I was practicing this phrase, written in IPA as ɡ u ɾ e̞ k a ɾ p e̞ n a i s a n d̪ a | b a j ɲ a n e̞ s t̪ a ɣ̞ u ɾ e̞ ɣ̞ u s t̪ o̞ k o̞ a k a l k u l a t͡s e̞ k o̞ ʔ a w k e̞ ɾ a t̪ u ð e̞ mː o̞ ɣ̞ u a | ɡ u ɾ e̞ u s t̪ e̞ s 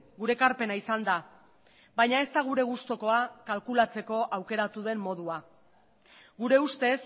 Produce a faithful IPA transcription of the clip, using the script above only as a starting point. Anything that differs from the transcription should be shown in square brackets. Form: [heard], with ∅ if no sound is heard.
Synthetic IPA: ɡ u ɾ e̞ k a ɾ p e̞ n a i s a n d̪ a | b a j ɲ a [∅] e̞ s t̪ a ɣ̞ u ɾ e̞ ɣ̞ u s t̪ o̞ k o̞ a k a l k u l a t͡s e̞ k o̞ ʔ a w k e̞ ɾ a t̪ u ð e̞ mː o̞ [ð̞] u a | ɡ u ɾ e̞ u s t̪ e̞ s